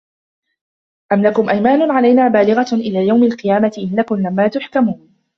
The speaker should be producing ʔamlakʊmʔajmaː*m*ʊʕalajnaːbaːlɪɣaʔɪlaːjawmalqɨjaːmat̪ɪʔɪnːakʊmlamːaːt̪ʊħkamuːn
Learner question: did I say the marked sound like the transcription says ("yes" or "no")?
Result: no